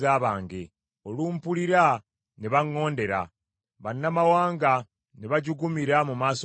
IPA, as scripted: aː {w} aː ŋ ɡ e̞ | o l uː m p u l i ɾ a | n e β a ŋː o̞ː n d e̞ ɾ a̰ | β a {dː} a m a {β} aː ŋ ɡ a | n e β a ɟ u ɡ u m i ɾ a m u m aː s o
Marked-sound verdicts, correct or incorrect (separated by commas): incorrect, incorrect, incorrect